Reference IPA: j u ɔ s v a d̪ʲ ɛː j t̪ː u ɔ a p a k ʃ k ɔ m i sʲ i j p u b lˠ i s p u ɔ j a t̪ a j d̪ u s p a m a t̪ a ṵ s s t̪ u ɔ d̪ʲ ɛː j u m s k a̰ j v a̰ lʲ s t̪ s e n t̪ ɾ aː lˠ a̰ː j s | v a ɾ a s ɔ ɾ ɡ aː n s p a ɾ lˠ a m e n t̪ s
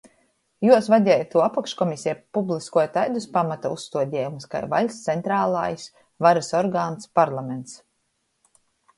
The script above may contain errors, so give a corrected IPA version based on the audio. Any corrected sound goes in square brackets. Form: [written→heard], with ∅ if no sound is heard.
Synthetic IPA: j u ɔ s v a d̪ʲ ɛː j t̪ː u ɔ a p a k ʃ k ɔ m i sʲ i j p u b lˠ i s [p→k] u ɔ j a t̪ a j d̪ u s p a m a t̪ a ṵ s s t̪ u ɔ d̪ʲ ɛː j u m s k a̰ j v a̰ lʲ s t̪ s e n t̪ ɾ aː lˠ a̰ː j s | v a ɾ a s ɔ ɾ ɡ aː n s p a ɾ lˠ a m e n t̪ s